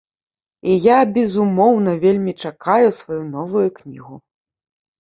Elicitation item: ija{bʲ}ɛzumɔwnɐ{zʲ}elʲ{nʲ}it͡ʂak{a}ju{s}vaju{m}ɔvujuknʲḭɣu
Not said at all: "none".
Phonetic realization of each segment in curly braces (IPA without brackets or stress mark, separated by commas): bʲ, vʲ, mʲ, a, s, n